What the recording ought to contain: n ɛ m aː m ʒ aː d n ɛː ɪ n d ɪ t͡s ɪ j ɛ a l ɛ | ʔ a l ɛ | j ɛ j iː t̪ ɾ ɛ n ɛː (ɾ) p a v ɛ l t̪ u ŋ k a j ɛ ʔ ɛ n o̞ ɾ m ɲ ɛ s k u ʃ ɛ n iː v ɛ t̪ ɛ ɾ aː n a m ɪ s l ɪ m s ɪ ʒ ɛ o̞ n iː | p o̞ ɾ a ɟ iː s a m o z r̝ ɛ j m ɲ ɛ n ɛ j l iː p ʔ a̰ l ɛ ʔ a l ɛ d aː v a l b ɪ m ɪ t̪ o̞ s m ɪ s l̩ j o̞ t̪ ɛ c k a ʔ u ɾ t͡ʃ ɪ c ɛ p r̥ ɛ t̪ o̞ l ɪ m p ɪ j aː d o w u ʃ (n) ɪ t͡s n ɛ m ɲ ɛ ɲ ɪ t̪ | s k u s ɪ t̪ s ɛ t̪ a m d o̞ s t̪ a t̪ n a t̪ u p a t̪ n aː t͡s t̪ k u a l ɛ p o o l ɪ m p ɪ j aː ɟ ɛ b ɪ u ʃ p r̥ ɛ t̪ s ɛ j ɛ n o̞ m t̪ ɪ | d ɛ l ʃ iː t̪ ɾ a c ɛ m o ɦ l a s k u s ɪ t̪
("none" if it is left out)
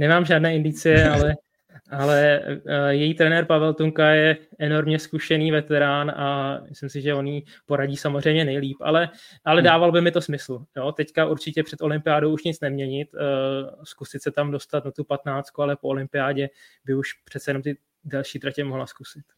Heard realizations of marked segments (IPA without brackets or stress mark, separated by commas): ɾ, ɲ